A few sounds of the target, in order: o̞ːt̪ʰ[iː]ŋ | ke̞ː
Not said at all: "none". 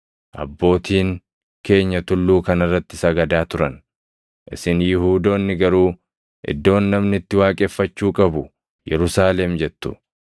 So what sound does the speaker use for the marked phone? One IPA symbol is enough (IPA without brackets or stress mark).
iː